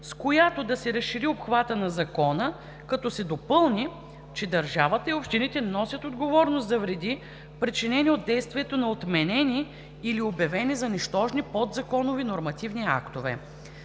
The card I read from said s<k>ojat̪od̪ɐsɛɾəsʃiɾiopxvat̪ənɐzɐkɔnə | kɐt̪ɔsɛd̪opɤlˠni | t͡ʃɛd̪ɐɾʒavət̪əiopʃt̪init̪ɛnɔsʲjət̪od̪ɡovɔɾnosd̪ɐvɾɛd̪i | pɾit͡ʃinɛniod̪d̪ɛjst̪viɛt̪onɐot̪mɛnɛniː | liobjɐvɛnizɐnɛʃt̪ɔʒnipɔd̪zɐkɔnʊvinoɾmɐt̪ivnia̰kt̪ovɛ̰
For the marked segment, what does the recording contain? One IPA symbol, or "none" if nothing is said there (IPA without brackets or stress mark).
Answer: k